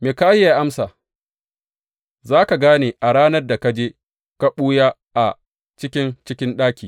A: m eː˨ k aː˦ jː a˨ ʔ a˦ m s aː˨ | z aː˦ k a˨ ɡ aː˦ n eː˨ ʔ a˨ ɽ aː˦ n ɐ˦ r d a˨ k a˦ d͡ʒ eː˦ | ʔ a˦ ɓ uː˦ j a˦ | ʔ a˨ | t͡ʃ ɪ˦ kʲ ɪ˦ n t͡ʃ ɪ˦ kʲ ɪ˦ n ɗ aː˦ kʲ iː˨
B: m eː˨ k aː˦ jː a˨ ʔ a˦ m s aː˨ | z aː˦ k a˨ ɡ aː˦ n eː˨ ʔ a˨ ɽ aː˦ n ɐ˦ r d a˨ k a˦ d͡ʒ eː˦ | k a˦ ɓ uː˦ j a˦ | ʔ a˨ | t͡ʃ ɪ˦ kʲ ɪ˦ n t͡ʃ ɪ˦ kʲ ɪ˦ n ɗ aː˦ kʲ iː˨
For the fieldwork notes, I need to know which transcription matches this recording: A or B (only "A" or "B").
B